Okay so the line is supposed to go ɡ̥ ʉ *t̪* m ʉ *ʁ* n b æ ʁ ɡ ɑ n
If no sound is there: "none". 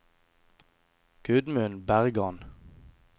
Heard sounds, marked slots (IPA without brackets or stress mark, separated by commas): d̪, none